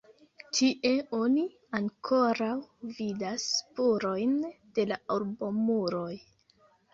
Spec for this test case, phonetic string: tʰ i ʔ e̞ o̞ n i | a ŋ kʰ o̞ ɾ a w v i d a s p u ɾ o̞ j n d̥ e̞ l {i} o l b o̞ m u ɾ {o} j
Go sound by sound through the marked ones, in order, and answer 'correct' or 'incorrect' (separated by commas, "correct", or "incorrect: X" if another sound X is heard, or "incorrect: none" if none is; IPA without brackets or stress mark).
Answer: incorrect: a, correct